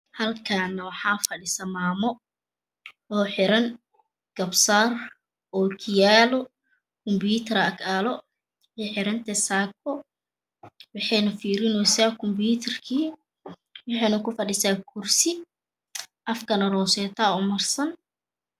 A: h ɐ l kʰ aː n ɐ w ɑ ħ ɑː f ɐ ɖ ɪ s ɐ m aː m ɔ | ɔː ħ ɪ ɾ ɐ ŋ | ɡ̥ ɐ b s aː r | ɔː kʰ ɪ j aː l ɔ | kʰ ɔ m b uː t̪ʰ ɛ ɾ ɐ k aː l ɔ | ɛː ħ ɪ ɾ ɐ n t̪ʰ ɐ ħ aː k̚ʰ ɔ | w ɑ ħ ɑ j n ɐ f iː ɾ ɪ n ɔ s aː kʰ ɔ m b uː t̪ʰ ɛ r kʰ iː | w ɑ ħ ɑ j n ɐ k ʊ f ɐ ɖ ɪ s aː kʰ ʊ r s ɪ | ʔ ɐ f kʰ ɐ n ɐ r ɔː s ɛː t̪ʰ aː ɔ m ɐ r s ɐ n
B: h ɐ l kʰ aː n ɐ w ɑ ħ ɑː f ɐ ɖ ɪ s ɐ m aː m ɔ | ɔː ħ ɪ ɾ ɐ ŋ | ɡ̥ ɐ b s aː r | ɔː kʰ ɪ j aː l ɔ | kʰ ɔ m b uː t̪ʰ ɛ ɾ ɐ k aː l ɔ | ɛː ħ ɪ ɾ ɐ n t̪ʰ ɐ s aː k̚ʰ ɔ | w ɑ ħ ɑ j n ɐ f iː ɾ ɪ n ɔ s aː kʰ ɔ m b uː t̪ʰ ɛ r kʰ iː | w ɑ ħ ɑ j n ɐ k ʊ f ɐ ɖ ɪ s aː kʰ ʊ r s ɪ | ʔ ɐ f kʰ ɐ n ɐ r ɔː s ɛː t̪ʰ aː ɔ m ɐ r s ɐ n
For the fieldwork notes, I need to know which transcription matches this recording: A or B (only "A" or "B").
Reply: B